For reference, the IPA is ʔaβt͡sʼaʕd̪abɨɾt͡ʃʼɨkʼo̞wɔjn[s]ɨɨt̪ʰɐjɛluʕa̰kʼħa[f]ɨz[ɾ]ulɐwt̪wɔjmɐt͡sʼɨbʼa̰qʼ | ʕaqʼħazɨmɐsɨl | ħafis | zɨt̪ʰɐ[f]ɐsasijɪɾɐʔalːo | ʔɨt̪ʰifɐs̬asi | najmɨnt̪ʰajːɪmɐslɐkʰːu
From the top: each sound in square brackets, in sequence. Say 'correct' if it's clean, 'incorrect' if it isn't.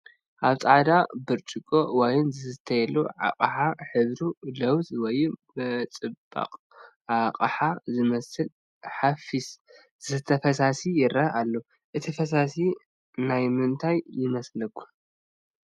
incorrect, incorrect, correct, correct

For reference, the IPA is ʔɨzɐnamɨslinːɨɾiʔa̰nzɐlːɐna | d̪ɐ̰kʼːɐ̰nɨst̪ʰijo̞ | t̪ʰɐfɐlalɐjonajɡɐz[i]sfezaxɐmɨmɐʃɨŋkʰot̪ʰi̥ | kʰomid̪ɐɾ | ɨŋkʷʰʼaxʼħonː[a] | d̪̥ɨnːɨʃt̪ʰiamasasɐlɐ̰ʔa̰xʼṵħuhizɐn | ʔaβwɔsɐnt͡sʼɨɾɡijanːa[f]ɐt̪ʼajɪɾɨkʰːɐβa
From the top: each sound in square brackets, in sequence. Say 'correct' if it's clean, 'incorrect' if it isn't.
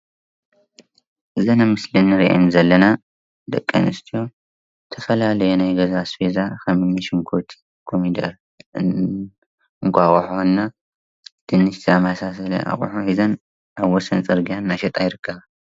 incorrect, correct, incorrect

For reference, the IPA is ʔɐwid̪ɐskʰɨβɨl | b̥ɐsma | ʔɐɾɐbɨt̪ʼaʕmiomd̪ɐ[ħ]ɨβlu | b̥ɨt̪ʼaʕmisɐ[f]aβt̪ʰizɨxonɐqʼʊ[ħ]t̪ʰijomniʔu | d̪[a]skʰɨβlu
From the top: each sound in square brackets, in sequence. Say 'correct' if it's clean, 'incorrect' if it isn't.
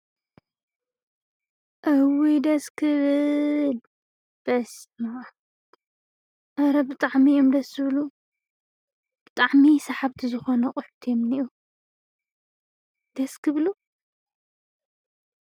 incorrect, incorrect, correct, incorrect

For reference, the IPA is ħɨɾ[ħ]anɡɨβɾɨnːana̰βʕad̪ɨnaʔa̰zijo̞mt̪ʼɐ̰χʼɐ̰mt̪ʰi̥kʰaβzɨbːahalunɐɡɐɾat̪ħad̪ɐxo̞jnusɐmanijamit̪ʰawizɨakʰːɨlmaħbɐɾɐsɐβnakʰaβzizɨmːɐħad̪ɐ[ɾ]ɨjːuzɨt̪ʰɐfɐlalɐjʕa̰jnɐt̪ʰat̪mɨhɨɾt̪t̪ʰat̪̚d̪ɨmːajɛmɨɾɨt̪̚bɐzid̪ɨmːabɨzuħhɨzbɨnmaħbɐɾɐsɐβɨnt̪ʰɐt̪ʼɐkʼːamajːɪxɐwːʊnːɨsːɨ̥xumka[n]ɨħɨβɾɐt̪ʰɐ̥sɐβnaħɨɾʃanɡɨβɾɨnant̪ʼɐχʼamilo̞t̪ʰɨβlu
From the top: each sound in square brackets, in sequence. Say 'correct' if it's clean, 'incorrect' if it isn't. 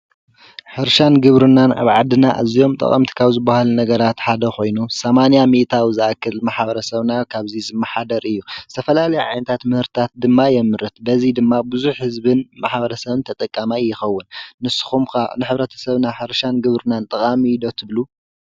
incorrect, correct, correct

